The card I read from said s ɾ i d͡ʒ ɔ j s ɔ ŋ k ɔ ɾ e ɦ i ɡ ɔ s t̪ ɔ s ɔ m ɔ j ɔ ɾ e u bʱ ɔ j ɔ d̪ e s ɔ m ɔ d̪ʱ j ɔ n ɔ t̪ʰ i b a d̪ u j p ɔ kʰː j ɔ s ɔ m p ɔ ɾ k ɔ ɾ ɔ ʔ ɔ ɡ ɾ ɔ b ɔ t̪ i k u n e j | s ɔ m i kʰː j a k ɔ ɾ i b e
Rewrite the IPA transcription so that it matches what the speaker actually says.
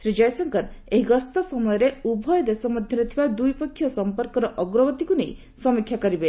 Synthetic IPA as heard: s ɾ i d͡ʒ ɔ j s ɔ ŋ k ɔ ɾ e ɦ i ɡ ɔ s t̪ ɔ s ɔ m ɔ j ɔ ɾ e u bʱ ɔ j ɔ d̪ e s ɔ m ɔ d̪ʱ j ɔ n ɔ t̪ʰ i b a d̪ u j p ɔ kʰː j ɔ s ɔ m p ɔ ɾ k ɔ ɾ ɔ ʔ ɔ ɡ ɾ ɔ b ɔ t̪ i k u n e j | s ɔ m i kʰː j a k ɔ ɾ i b e